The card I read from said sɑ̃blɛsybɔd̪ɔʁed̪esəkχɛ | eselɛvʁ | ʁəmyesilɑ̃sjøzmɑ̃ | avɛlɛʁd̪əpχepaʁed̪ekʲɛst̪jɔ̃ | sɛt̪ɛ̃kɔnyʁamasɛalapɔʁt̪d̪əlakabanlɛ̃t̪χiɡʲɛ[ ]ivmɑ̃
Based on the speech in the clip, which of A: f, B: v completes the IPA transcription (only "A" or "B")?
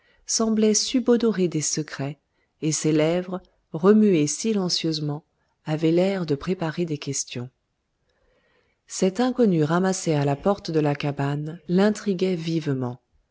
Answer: B